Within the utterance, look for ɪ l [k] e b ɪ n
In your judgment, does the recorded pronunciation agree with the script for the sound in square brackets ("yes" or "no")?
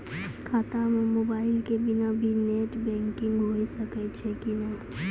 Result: yes